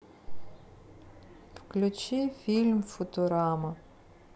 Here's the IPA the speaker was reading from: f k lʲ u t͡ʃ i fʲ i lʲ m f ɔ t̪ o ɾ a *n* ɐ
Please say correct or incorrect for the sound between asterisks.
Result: incorrect